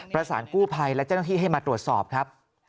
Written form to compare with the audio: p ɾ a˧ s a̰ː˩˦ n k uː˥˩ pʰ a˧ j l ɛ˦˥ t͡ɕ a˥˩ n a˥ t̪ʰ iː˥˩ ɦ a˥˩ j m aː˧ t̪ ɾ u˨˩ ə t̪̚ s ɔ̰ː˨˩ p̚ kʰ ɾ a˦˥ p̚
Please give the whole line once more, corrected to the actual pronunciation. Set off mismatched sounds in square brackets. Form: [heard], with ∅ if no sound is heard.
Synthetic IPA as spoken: p ɾ a˧ s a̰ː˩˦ n k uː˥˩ pʰ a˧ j l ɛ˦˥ t͡ɕ a˥˩ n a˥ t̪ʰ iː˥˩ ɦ a˥˩ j m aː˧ t̪ ɾ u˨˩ ə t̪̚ s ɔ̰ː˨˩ p̚ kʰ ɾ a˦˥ p̚